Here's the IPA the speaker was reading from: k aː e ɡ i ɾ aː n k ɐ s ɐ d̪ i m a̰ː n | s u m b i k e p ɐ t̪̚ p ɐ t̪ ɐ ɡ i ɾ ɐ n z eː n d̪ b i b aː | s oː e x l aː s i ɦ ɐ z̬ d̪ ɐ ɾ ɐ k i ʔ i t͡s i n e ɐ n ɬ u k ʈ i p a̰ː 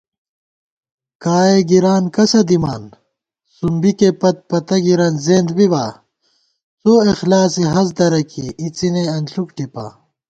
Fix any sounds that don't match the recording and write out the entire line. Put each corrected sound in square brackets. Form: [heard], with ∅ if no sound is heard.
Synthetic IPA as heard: k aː e ɡ i ɾ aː n k ɐ s ɐ d̪ i m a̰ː n | s u m b i k e p ɐ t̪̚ p ɐ t̪ ɐ ɡ i ɾ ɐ n z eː n d̪ b i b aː | s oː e x l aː s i ɦ ɐ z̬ d̪ ɐ ɾ ɐ k i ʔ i t͡s i n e ɐ n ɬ u k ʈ i p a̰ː